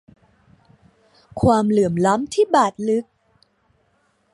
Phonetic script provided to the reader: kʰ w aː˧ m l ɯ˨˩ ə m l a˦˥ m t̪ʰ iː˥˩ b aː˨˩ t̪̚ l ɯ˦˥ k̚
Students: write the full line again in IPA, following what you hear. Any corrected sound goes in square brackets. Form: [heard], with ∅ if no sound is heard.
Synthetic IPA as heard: kʰ w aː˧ m l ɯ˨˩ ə m l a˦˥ m t̪ʰ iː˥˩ b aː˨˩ t̪̚ l ɯ˦˥ k̚